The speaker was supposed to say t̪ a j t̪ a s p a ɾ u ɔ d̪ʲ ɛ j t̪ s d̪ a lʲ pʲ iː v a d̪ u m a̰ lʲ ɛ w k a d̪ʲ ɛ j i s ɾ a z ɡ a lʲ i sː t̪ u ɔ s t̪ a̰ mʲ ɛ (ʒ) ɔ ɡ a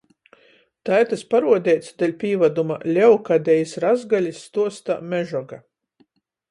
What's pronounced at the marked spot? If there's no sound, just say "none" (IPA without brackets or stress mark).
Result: ʒ